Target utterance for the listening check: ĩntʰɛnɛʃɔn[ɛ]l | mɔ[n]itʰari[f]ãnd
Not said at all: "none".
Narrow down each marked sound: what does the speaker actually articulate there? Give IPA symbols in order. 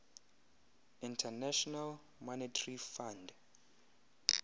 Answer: a, n, f

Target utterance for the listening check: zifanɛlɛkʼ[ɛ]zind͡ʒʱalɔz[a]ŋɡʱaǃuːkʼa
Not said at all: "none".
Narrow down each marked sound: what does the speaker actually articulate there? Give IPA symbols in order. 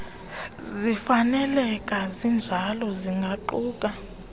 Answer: a, i

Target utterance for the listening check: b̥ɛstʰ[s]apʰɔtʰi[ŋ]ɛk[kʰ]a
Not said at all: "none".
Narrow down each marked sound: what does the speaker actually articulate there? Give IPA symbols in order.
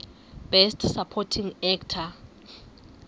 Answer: s, ŋ, tʰ

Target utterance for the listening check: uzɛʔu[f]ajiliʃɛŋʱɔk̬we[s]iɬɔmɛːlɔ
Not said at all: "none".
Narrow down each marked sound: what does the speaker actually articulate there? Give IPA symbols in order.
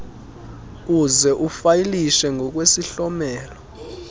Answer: f, s

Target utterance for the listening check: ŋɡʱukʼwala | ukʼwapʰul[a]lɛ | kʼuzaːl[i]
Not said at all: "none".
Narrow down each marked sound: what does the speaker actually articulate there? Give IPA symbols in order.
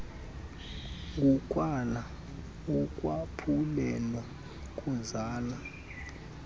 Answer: ɛ, a

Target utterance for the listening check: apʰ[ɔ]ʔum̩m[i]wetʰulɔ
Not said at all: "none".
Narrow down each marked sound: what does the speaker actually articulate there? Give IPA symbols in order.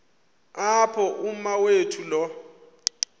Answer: ɔ, a

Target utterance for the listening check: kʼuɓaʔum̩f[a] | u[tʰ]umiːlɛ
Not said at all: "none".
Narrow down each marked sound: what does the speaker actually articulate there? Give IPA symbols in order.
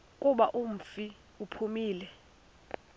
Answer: i, pʰ

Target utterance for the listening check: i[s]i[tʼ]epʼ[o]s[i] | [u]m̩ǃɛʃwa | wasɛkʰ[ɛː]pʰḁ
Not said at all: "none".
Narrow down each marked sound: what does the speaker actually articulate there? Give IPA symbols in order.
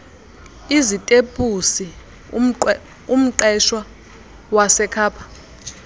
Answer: z, tʼ, u, i, u, aː

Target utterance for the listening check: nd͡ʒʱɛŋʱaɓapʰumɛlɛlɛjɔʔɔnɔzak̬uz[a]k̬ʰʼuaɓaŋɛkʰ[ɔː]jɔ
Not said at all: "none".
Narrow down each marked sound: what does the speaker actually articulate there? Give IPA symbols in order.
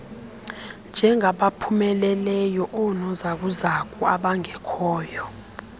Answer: a, ɔː

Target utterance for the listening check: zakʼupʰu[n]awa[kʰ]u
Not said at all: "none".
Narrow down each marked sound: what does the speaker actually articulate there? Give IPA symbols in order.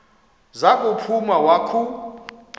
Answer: m, kʰ

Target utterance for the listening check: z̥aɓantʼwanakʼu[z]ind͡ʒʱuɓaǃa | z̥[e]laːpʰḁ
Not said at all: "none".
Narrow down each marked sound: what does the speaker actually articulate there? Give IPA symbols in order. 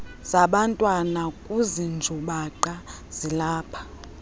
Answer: z, i

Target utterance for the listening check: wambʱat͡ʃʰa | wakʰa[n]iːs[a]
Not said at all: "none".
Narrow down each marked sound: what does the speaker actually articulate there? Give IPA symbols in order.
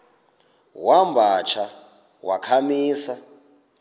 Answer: m, a

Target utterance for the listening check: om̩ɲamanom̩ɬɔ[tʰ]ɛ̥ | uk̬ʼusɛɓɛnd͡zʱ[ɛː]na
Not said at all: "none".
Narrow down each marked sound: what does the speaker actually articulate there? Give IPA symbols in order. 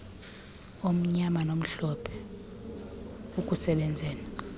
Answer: pʰ, ɛː

